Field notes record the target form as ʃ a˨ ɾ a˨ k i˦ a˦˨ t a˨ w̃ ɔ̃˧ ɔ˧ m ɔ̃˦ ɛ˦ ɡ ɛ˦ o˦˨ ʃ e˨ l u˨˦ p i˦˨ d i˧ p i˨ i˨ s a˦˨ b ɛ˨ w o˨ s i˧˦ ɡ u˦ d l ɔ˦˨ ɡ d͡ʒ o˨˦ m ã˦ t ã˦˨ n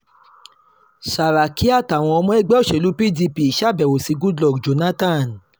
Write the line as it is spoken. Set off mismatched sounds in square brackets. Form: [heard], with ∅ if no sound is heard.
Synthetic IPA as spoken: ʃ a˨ ɾ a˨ k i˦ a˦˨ t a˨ w̃ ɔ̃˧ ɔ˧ m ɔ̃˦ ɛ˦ [ɡ͡b] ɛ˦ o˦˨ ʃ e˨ l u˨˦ p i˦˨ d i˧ p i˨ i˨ [ʃ] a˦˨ b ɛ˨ w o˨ s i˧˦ ɡ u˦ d l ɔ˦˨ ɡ d͡ʒ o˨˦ [n] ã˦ t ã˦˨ n

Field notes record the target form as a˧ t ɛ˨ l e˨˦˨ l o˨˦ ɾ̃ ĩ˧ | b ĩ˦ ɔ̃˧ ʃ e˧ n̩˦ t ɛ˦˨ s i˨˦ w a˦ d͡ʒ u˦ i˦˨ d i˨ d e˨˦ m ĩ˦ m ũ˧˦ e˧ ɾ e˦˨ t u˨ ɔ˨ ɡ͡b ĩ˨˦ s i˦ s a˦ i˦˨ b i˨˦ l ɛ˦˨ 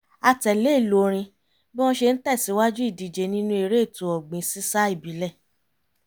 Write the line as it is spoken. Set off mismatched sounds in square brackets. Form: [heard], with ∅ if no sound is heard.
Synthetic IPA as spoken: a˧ t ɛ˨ l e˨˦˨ l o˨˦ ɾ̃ ĩ˧ | b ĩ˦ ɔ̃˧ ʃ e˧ n̩˦ t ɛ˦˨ s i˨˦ w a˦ d͡ʒ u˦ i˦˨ d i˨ [d͡ʒ] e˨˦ [n] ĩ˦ [n] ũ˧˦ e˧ ɾ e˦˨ t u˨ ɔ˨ ɡ͡b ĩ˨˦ s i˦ s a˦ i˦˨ b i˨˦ l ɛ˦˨

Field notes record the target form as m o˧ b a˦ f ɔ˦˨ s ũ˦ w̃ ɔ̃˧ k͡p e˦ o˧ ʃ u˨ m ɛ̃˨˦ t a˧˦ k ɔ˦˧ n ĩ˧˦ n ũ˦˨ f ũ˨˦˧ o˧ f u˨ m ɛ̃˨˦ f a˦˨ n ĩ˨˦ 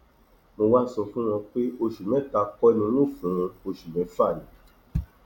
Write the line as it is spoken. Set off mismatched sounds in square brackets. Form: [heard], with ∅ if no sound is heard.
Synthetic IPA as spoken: m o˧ [w] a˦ [s] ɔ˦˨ [f] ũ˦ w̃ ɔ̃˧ k͡p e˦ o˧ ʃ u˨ m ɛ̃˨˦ t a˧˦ k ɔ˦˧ n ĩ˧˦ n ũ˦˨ f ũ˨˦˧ o˧ [ʃ] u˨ m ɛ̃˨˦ f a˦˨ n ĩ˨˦

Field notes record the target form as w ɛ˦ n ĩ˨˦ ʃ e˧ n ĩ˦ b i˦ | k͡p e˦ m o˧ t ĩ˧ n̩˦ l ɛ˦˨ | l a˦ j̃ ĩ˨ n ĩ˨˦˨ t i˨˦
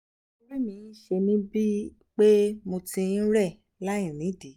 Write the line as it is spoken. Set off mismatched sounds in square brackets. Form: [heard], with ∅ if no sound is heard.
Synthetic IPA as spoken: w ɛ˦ n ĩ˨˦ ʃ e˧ n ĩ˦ b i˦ | k͡p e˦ m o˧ t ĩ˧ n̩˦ [ɾ] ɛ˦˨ | l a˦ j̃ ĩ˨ n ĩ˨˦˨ [d] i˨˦

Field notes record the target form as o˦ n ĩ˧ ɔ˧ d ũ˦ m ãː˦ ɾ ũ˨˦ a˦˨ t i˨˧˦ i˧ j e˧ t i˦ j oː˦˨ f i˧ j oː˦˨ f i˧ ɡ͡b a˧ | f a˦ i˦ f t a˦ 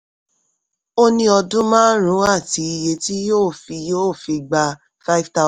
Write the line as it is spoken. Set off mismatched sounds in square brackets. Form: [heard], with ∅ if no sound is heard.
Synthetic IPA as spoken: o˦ n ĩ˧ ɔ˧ d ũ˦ m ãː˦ ɾ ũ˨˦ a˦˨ t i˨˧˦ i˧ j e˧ t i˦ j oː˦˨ f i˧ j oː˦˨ f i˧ ɡ͡b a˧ | f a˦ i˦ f t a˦

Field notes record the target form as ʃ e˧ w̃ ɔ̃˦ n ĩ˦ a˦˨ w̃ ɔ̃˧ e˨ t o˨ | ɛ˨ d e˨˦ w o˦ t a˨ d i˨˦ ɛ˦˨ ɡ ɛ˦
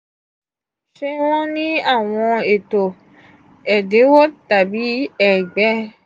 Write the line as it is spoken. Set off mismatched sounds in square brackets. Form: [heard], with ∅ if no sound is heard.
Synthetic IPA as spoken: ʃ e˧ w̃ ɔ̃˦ n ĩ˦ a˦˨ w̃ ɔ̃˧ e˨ t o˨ | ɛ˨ d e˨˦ w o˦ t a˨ [b] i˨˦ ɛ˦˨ [ɡ͡b] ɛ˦

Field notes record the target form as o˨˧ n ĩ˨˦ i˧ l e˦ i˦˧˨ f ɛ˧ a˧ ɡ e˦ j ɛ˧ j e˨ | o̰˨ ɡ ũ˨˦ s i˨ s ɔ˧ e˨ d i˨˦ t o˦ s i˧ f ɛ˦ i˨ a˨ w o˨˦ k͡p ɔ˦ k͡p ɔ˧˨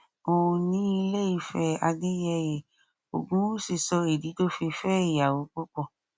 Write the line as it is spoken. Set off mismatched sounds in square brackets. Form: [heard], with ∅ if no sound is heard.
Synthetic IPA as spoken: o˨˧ n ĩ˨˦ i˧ l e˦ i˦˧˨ f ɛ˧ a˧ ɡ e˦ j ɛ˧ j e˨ | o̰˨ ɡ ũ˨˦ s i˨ s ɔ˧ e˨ d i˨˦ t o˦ [f] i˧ f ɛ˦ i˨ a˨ w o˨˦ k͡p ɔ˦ k͡p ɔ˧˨

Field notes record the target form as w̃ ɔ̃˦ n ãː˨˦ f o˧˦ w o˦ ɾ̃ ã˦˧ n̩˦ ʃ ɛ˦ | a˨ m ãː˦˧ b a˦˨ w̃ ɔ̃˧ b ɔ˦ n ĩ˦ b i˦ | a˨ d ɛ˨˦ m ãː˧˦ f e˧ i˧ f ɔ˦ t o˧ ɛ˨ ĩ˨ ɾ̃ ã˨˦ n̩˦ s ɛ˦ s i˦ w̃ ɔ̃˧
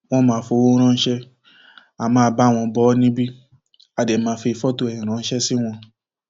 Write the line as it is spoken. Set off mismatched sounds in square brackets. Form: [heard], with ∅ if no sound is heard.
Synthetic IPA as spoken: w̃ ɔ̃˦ [m] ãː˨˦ f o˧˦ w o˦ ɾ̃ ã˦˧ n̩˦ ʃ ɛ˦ | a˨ m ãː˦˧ b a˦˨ w̃ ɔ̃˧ b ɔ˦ n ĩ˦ b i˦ | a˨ d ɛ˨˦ m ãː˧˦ f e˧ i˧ f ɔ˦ t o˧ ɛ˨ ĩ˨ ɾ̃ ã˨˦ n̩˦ [ʃ] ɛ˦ s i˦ w̃ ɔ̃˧

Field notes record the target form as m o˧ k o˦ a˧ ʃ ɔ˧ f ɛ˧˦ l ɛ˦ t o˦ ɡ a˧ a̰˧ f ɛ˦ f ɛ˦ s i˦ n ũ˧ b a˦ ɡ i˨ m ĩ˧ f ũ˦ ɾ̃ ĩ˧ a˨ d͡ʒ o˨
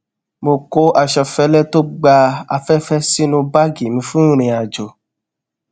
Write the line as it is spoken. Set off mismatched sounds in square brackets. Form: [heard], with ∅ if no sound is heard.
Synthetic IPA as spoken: m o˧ k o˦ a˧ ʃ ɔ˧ f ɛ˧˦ l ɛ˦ t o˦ [ɡ͡b] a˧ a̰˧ f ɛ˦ f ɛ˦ s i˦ n ũ˧ b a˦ ɡ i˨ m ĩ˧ f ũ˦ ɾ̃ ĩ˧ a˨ d͡ʒ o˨

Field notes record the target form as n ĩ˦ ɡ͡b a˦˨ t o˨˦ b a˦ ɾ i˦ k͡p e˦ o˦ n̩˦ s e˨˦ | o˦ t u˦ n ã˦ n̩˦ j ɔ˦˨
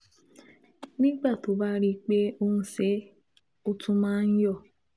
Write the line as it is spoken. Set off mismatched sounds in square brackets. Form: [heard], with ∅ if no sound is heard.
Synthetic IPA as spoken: n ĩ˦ ɡ͡b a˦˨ t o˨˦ b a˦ ɾ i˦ k͡p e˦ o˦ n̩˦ s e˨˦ | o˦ t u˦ [m] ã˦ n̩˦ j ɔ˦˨

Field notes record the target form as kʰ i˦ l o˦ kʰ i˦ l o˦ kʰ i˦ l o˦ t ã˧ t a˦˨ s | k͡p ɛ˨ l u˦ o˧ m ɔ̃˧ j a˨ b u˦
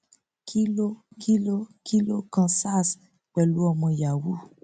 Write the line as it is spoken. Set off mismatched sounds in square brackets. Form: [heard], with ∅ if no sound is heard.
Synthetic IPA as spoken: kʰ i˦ l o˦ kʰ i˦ l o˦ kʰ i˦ l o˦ [k] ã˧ [s] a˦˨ s | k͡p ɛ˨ l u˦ [ɔ˧] m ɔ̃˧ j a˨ [w] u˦

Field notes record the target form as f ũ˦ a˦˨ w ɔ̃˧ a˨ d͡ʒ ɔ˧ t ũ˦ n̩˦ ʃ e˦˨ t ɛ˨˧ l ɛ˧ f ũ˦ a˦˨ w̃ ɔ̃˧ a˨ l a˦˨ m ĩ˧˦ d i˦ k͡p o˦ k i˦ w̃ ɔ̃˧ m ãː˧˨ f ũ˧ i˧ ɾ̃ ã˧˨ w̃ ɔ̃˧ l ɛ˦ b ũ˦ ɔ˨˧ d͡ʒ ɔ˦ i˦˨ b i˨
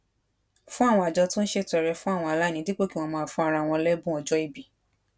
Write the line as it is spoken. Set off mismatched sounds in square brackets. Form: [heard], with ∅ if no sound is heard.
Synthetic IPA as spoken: f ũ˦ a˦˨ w ɔ̃˧ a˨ d͡ʒ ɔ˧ t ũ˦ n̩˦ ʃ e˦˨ t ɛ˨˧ [ɾ] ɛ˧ f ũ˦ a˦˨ w̃ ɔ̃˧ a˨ l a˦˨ [n] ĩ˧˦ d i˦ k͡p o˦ k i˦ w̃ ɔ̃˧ m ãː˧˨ f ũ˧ [a˧] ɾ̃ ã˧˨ w̃ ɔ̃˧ l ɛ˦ b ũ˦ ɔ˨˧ d͡ʒ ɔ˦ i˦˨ b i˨

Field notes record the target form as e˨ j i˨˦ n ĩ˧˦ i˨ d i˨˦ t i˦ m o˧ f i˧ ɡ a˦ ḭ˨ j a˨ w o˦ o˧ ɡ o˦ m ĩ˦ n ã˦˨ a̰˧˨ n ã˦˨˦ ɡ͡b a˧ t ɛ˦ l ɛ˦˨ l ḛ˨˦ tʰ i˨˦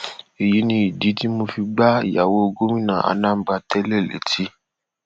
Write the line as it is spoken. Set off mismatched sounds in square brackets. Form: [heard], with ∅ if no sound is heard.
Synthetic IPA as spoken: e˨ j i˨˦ n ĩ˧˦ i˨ d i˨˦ t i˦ m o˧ f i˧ [ɡ͡b] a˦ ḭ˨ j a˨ w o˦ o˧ ɡ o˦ m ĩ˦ n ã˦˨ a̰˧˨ n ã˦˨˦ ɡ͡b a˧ t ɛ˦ l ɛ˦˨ l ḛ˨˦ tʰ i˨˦

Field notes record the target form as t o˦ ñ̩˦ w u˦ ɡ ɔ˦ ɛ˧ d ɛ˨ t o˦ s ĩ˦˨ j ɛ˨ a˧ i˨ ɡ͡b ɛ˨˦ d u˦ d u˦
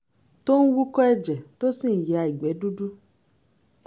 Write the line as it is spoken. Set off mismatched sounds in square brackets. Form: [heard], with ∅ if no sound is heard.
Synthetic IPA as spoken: t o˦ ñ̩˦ w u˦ [k] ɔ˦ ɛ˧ [d͡ʒ] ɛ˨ t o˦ s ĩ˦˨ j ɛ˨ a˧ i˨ ɡ͡b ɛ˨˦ d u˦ d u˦

